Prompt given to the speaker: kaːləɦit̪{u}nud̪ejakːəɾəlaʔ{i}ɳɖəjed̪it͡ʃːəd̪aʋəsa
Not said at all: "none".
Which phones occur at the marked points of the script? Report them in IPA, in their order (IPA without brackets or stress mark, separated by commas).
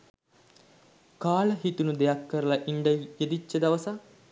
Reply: u, i